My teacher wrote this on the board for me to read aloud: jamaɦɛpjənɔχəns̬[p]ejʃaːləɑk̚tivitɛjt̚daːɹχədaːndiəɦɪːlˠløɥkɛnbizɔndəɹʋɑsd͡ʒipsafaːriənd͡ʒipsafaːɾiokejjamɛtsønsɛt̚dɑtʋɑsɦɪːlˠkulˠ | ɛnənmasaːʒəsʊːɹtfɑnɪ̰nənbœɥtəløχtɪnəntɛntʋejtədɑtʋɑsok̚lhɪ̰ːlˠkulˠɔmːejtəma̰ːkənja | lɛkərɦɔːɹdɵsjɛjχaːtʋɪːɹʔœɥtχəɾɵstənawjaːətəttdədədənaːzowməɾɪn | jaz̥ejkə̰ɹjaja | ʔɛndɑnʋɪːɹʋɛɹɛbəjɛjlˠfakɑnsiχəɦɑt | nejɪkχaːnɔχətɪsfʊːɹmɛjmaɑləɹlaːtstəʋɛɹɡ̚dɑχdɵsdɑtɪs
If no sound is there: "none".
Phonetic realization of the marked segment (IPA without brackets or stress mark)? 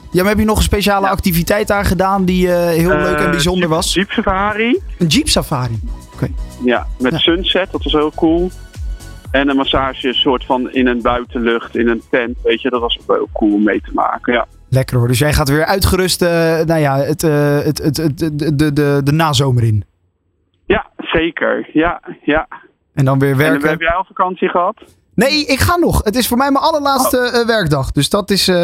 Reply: p